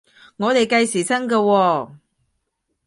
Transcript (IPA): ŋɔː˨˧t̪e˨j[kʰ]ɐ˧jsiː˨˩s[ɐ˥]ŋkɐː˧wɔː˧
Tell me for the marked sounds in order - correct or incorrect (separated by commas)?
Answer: incorrect, correct